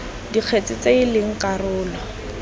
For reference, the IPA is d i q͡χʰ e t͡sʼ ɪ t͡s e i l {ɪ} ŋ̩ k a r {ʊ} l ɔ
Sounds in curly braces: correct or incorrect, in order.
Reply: correct, incorrect

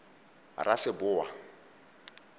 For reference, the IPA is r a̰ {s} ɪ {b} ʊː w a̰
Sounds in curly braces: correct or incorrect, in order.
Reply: correct, correct

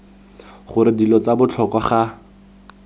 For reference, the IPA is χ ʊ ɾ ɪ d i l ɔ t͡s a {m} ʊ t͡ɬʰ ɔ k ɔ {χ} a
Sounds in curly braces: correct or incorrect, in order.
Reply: incorrect, correct

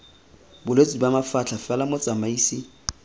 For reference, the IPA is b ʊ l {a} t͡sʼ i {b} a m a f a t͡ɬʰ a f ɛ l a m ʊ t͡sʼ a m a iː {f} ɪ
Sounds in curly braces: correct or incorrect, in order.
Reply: incorrect, correct, incorrect

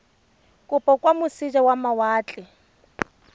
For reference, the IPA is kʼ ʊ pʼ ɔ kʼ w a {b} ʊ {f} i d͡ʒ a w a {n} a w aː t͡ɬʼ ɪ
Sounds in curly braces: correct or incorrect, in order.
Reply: incorrect, incorrect, incorrect

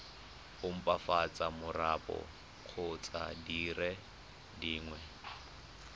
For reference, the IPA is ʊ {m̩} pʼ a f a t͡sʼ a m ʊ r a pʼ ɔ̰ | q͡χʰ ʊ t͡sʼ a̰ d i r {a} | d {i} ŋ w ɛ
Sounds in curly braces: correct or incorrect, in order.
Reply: correct, incorrect, incorrect

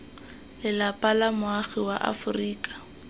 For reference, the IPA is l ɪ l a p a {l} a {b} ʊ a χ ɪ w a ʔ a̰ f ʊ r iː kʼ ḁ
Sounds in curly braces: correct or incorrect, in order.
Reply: correct, incorrect

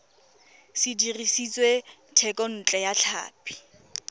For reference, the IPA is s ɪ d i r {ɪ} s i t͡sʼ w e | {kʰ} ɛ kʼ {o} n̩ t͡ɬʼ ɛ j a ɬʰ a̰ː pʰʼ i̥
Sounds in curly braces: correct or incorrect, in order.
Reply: incorrect, incorrect, incorrect

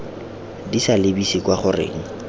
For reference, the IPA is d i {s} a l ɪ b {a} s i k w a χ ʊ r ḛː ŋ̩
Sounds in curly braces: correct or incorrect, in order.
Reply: correct, incorrect

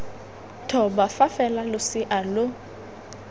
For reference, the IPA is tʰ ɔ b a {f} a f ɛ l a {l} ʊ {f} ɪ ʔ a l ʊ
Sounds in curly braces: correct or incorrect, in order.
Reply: correct, correct, incorrect

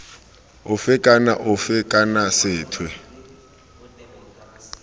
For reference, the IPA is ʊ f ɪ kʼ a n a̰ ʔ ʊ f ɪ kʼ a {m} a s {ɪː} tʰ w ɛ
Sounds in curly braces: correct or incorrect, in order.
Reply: incorrect, correct

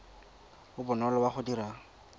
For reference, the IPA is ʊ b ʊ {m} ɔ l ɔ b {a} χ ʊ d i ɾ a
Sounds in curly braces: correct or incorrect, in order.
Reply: incorrect, correct

